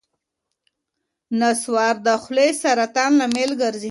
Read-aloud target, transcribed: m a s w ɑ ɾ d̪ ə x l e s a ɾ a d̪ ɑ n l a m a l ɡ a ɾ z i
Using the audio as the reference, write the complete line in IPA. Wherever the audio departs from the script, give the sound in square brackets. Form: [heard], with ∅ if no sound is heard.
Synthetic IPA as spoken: [n] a s w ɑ ɾ d̪ ə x l e s a ɾ a [t̪] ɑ n l a m [e] l ɡ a ɾ z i